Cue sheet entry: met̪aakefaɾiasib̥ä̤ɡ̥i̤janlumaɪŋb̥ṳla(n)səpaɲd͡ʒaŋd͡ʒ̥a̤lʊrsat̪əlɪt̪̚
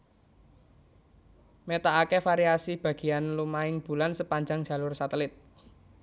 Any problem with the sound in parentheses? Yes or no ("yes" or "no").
no